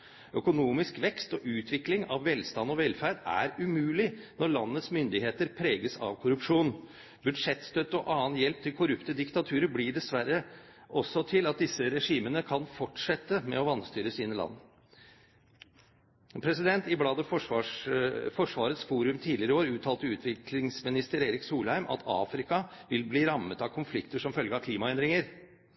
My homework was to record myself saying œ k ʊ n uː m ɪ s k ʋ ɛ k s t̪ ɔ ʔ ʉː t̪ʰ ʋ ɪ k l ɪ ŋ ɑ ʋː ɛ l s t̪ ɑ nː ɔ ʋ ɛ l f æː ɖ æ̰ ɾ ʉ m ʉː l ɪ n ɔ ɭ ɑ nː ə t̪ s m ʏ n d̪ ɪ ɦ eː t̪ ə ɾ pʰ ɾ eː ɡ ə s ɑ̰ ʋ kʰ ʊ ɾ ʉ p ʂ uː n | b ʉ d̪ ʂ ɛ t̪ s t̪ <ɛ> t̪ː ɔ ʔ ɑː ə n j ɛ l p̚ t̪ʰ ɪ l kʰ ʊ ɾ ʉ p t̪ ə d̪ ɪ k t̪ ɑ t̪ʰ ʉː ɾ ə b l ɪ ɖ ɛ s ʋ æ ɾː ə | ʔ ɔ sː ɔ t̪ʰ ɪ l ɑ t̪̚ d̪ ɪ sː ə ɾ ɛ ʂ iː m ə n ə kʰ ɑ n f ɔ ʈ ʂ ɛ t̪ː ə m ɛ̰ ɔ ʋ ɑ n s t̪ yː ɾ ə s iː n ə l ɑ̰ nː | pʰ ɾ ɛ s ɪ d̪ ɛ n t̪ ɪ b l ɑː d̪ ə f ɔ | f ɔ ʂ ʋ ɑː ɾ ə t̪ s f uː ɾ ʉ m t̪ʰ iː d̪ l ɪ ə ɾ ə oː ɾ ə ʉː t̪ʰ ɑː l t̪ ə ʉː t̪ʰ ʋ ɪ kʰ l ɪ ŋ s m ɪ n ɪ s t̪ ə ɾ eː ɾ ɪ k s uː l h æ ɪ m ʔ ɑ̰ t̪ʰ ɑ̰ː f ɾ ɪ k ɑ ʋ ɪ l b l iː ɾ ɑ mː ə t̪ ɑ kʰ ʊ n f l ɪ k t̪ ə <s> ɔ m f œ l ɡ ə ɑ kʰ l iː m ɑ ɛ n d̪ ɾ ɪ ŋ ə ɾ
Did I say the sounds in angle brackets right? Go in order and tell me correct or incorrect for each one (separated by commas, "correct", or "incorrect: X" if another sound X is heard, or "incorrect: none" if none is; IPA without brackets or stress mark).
incorrect: œ, incorrect: ʂ